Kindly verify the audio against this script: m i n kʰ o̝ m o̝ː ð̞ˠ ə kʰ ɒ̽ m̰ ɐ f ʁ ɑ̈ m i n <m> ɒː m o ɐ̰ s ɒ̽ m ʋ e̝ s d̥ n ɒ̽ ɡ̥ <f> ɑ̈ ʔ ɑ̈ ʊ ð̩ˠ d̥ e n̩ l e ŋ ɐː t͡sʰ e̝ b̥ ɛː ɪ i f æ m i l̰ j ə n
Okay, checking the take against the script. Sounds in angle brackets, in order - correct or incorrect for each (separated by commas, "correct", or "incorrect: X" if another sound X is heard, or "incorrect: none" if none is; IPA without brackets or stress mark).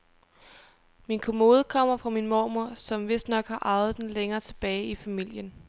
correct, incorrect: h